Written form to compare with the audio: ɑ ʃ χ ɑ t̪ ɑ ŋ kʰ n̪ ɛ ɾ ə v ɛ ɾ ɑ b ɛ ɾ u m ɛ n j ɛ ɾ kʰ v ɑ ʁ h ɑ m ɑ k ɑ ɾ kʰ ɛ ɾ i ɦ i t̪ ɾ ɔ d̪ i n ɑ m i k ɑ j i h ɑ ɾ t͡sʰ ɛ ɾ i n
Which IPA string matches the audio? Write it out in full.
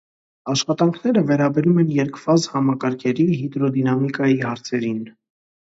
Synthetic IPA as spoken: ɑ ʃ χ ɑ t̪ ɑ ŋ kʰ n̪ ɛ ɾ ə v ɛ ɾ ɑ b ɛ ɾ u m ɛ n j ɛ ɾ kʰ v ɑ z h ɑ m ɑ k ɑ ɾ kʰ ɛ ɾ i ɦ i d̪ ɾ ɔ d̪ i n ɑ m i k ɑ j i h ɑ ɾ t͡sʰ ɛ ɾ i n